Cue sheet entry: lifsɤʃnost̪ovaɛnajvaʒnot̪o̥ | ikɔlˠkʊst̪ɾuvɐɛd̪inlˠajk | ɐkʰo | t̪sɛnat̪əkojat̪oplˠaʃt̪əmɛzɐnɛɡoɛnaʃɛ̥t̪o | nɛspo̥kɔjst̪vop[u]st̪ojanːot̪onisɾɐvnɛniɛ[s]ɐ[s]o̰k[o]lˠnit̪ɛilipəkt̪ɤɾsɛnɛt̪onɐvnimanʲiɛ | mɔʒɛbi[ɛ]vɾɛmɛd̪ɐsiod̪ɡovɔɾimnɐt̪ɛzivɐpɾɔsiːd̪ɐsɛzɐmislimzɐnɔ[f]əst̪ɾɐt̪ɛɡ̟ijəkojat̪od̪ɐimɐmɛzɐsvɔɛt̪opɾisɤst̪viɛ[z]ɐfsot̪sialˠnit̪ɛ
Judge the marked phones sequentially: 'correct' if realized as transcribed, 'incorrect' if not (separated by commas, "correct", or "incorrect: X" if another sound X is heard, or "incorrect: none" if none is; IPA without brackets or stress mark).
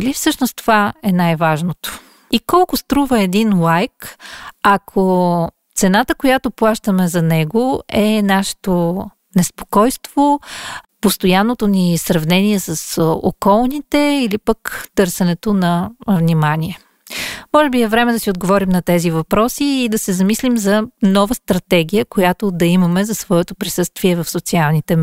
incorrect: o, correct, correct, incorrect: ɔ, correct, incorrect: v, incorrect: v